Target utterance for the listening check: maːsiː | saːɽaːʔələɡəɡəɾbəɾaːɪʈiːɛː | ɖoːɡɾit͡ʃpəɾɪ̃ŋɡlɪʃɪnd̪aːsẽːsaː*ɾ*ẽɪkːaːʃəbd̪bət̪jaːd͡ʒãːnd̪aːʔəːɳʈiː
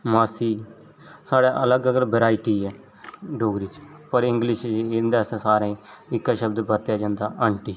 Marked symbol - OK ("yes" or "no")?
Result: yes